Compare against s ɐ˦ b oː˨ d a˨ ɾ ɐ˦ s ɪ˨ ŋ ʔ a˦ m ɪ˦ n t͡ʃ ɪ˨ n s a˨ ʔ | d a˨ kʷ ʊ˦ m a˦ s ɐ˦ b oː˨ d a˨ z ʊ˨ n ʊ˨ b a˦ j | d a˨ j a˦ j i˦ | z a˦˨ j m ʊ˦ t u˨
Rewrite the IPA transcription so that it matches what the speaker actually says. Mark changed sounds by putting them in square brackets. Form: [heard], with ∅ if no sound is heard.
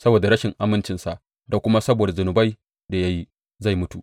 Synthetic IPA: s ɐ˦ b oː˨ d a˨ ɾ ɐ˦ [ʃ] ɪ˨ ŋ ʔ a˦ m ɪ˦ n t͡ʃ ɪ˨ n s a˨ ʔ | d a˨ kʷ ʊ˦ m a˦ s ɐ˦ b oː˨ d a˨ z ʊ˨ n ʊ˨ b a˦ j | d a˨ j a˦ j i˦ | z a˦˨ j m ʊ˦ t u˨